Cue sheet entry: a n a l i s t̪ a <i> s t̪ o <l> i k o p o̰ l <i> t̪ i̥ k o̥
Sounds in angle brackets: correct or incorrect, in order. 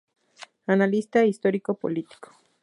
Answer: correct, incorrect, correct

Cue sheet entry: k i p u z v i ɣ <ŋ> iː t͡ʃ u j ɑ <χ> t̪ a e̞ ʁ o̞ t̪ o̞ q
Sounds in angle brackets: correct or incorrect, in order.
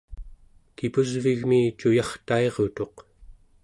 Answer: incorrect, correct

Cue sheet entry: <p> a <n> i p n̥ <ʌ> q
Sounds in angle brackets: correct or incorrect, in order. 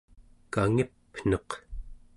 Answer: incorrect, incorrect, correct

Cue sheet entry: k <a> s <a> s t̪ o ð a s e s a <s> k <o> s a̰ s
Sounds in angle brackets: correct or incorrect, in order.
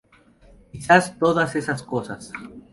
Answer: incorrect, correct, correct, correct

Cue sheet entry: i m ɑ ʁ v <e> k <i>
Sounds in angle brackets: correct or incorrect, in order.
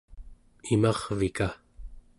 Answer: incorrect, incorrect

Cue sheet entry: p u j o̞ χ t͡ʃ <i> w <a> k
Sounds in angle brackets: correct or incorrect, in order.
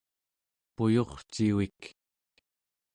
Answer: correct, incorrect

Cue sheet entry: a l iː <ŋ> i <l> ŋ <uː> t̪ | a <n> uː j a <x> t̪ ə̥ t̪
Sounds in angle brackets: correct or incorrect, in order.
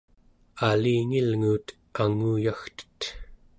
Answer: correct, correct, correct, incorrect, correct

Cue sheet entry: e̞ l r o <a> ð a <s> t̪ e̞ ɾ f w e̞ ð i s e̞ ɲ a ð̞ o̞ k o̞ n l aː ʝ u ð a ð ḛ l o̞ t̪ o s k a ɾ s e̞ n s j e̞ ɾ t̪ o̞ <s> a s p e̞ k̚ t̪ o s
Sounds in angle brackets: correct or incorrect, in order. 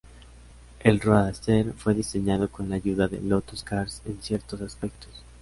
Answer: correct, correct, correct

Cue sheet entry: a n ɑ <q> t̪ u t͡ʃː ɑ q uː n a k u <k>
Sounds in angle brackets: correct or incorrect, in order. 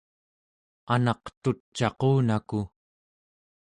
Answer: correct, incorrect

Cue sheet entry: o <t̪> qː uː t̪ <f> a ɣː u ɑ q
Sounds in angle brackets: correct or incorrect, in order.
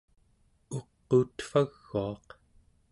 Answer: incorrect, correct

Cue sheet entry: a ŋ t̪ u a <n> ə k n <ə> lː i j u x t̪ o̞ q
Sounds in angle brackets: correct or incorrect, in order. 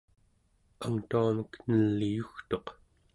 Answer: incorrect, correct

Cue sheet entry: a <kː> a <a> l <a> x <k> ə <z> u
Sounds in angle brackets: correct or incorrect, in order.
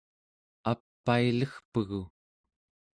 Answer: incorrect, incorrect, incorrect, incorrect, incorrect

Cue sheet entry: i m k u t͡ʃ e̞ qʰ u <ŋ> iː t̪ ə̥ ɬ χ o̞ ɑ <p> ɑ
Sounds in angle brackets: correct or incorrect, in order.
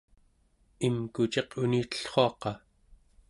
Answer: incorrect, incorrect

